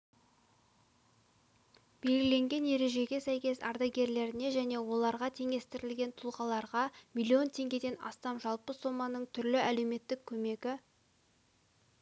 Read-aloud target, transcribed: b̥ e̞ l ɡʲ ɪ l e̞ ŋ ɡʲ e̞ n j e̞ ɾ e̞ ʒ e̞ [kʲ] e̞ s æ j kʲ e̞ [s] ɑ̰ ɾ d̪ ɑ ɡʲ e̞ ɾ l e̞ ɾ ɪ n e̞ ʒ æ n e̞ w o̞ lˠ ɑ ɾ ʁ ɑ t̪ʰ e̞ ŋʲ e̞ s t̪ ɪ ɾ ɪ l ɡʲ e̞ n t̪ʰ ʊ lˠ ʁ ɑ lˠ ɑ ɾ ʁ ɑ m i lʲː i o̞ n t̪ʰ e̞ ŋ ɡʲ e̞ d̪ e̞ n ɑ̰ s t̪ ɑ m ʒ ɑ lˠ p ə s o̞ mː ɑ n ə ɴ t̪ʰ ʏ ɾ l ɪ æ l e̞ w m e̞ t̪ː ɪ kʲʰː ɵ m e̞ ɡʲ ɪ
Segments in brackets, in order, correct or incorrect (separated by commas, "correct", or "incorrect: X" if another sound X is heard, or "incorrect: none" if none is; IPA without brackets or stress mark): incorrect: ɡʲ, correct